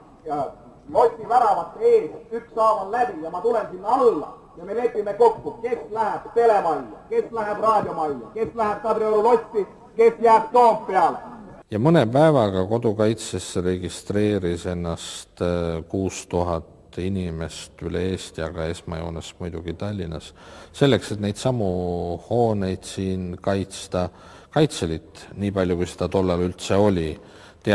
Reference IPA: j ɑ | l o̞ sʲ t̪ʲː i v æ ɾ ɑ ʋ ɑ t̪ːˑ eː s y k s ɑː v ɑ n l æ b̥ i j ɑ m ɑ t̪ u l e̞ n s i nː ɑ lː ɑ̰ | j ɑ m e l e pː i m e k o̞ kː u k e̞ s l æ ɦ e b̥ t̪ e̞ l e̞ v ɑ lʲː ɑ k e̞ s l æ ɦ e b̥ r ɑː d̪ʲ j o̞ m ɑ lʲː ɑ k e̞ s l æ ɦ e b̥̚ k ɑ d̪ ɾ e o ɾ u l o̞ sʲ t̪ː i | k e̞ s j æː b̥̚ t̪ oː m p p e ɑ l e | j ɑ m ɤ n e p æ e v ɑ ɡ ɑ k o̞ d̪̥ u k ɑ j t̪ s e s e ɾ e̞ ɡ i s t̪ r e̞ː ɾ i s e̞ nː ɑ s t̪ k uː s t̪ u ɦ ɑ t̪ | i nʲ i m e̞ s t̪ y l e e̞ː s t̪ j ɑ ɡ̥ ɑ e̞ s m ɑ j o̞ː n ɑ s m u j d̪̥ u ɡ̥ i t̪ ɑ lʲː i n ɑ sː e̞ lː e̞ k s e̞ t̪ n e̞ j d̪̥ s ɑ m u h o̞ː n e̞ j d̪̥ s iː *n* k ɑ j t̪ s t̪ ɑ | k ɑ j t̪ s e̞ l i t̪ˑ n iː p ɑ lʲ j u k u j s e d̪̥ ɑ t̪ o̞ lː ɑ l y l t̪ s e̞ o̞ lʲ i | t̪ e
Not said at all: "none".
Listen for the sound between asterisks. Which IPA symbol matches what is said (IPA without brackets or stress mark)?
n